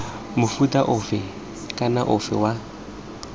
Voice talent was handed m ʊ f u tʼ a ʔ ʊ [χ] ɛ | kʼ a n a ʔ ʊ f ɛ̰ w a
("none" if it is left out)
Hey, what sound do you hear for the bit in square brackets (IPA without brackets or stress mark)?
f